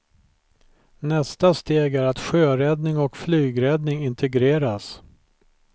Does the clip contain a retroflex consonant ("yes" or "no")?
no